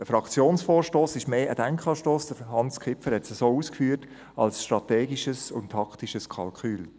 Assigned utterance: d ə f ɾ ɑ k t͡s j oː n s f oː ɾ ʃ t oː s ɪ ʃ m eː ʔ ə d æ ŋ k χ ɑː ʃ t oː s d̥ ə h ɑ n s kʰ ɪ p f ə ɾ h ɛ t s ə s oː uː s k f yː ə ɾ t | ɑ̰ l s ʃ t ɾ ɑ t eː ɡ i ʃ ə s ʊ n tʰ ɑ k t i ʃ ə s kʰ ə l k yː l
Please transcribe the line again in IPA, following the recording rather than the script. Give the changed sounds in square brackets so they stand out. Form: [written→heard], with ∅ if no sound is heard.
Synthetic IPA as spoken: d ə f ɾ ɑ k t͡s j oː n s f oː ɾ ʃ t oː s ɪ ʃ m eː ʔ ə d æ ŋ k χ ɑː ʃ t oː s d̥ ə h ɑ n s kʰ ɪ p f ə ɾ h ɛ t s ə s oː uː s k f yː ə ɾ t | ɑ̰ l s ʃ t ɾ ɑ t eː ɡ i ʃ ə s ʊ n tʰ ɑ k t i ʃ ə s kʰ [ə→ɑ] l k yː l